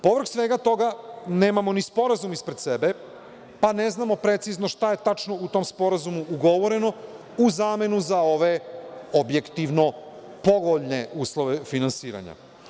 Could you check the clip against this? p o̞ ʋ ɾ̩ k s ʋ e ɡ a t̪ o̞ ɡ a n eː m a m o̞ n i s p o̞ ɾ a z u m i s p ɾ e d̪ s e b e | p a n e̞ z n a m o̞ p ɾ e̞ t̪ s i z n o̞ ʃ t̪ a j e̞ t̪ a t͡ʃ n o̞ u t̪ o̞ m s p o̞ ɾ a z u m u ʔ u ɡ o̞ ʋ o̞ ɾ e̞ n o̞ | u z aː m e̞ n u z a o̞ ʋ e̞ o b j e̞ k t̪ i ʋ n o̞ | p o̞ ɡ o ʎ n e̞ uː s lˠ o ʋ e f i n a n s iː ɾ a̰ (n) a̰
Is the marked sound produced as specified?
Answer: no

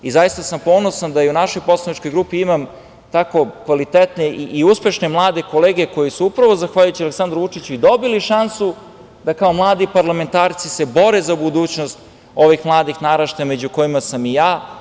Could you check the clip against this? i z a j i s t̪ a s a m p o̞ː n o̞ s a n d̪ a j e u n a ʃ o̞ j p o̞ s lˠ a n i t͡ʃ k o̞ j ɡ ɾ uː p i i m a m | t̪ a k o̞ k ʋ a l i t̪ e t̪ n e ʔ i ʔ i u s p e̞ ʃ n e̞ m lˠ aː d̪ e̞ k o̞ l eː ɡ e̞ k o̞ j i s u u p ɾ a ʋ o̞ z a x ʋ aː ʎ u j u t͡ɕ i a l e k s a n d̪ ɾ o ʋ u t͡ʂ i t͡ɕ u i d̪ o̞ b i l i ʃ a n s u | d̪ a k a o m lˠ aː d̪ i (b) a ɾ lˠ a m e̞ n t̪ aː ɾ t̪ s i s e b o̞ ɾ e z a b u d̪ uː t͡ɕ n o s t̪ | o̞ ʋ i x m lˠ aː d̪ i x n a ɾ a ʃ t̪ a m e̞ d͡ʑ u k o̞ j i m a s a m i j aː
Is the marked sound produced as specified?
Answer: no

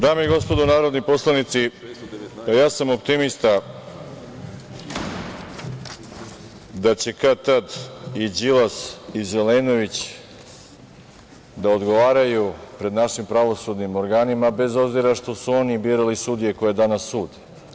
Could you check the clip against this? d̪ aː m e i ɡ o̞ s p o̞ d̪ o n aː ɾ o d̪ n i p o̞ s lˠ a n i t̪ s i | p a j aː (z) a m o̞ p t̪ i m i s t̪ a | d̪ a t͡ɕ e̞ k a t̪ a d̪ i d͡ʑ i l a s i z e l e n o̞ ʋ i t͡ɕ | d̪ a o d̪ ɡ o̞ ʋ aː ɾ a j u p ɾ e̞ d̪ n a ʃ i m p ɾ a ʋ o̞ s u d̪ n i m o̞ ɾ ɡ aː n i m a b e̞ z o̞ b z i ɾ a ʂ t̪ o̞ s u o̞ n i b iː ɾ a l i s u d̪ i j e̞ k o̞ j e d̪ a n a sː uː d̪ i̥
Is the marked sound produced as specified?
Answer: no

